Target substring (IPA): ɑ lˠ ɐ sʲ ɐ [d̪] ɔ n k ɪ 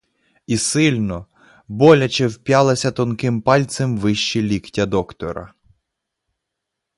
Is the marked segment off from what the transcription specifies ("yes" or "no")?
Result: yes